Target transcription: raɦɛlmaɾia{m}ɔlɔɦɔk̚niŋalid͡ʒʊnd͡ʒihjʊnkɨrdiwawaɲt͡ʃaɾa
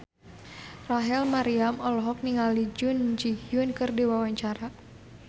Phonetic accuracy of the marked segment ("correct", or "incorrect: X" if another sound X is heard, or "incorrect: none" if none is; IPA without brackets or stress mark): correct